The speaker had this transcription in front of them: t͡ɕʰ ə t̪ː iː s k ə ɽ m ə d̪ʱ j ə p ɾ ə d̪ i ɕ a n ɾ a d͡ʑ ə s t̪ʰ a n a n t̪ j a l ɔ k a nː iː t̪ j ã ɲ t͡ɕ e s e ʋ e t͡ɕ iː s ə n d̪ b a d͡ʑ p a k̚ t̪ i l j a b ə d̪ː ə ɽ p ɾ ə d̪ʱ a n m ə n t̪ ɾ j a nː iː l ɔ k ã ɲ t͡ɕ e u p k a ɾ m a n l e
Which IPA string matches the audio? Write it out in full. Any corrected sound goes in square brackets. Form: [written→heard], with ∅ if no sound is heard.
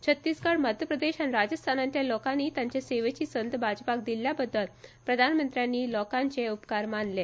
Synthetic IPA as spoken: t͡ɕʰ ə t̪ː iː s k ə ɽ m ə d̪ʱ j ə p ɾ ə d̪ [i→e] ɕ a n ɾ a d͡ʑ ə s t̪ʰ a n a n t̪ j a l ɔ k a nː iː t̪ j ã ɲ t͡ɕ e s e ʋ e t͡ɕ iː s ə n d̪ b a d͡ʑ p a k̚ [t̪→d̪] i l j a b ə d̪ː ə [ɽ→l] p ɾ ə d̪ʱ a n m ə n t̪ ɾ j a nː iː l ɔ k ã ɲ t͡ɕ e u p k a ɾ m a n l e